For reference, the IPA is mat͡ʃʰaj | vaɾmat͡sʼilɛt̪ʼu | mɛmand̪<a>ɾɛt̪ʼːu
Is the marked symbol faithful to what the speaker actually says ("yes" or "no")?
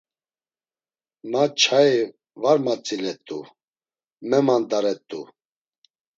yes